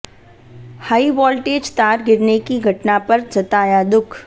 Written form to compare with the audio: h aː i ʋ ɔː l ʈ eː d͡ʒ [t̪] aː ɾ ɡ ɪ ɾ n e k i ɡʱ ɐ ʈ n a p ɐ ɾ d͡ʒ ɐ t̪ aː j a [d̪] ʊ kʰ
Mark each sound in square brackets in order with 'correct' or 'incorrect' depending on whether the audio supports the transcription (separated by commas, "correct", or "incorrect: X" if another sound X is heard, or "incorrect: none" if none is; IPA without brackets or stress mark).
correct, correct